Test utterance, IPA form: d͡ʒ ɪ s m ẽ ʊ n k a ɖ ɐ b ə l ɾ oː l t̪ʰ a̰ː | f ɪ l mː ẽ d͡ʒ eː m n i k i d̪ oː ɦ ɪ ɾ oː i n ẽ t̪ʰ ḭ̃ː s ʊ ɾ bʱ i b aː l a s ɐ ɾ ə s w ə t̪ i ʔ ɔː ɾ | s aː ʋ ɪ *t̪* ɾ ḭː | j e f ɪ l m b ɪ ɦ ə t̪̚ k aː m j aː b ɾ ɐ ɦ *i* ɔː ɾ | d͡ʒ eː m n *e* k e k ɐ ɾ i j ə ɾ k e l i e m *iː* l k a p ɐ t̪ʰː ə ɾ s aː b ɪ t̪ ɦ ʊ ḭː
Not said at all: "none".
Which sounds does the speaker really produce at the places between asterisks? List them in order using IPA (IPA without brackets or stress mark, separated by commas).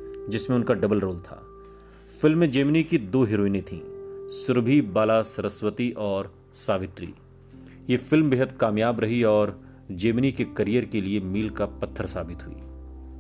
t̪, i, i, iː